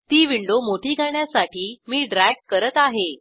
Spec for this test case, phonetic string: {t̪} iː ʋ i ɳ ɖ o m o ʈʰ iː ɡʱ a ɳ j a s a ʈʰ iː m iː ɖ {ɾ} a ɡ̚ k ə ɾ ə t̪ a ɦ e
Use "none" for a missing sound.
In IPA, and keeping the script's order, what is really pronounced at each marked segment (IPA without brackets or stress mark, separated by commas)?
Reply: t̪, ɾ